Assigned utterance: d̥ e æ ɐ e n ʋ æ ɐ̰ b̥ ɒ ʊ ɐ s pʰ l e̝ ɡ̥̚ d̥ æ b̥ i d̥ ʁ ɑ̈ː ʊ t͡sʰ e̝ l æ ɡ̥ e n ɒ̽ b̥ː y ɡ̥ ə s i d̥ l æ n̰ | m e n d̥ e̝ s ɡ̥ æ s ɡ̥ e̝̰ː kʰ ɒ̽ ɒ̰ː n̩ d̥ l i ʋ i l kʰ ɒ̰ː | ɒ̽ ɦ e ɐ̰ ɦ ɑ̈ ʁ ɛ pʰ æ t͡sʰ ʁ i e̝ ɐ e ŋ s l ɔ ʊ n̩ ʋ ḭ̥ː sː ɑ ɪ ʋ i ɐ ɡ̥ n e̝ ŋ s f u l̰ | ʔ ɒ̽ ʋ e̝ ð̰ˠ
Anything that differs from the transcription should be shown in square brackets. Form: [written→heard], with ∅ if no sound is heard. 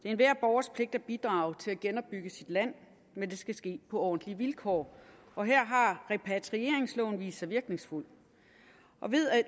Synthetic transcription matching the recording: d̥ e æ ɐ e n ʋ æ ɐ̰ b̥ ɒ ʊ ɐ s pʰ l e̝ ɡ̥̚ d̥ æ b̥ i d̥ ʁ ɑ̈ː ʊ t͡sʰ e̝ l æ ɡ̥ e n ɒ̽ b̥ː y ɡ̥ ə s i d̥ l æ n̰ | m e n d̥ e̝ s ɡ̥ æ s ɡ̥ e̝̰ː [kʰ→pʰ] ɒ̽ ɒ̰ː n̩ d̥ l i ʋ i l kʰ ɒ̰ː | ɒ̽ ɦ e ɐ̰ ɦ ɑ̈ ʁ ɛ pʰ æ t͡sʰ ʁ i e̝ ɐ e ŋ s l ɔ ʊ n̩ ʋ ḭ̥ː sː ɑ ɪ ʋ i ɐ ɡ̥ n e̝ ŋ s f u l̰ | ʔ ɒ̽ ʋ e̝ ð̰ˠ